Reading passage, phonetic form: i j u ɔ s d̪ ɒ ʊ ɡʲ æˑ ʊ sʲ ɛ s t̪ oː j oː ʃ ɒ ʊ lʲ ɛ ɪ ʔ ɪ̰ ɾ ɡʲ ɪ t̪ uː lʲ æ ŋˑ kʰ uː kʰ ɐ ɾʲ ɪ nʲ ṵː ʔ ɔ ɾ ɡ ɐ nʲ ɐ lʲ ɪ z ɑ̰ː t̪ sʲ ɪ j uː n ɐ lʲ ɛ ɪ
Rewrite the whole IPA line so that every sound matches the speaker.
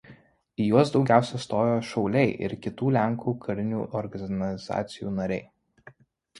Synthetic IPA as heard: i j u ɔ s d̪ ɒ ʊ ɡʲ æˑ ʊ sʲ ɛ s t̪ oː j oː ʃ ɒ ʊ lʲ ɛ ɪ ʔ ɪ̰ ɾ kʲ ɪ t̪ uː lʲ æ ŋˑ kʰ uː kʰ ɐ ɾʲ ɪ nʲ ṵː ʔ ɔ ɾ ɡ ɐ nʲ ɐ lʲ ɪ z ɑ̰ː t̪ sʲ ɪ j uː n ɐ ɾʲ ɛ ɪ